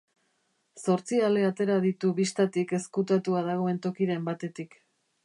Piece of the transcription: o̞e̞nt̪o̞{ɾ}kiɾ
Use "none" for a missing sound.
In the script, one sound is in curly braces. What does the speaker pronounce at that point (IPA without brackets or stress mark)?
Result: none